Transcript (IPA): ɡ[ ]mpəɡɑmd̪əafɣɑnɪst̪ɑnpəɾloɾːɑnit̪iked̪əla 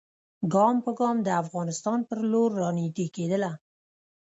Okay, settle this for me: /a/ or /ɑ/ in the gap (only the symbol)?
ɑ